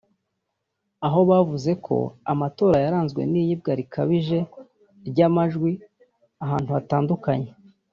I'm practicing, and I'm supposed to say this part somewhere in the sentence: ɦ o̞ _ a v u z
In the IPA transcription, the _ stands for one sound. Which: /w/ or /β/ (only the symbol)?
β